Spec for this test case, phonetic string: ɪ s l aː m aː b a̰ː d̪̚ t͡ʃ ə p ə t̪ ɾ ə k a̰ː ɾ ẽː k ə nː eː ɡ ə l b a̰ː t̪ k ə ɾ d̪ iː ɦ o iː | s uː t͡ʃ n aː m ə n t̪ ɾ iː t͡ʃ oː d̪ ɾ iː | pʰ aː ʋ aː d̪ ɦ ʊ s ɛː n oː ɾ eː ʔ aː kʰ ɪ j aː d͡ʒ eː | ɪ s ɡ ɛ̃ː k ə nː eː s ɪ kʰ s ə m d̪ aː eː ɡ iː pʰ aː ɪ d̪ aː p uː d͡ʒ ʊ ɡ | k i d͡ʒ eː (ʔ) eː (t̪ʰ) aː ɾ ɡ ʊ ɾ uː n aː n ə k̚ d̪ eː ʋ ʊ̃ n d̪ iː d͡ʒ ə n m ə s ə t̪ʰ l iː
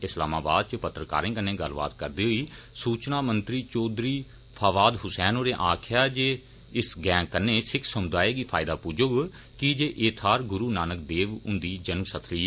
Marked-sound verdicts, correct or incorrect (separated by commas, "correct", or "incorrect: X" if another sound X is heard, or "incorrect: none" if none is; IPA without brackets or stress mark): correct, correct